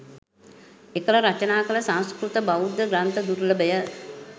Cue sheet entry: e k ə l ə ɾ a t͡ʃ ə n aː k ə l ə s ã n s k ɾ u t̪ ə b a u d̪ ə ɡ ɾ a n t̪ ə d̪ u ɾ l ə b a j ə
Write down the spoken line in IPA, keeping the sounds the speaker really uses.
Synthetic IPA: e k ə l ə ɾ a t͡ʃ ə n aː k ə l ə s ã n s k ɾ u t̪ ə b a u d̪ ə ɡ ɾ a n t̪ ə d̪ u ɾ l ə b ə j ə